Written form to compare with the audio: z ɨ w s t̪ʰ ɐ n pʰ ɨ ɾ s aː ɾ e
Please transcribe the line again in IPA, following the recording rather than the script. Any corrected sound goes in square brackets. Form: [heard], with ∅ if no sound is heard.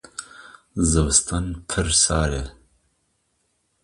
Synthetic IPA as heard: z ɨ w s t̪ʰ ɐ n pʰ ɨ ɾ s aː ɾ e